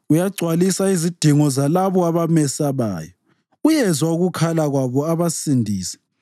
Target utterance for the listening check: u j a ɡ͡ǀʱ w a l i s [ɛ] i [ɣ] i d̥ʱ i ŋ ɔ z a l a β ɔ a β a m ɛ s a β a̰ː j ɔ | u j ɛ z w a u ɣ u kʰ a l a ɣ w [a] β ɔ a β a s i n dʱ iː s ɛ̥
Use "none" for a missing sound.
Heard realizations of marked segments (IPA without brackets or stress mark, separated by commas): a, z, a